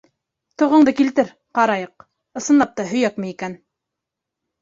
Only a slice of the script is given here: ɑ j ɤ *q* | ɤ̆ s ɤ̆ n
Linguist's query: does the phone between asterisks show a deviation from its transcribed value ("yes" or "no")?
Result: no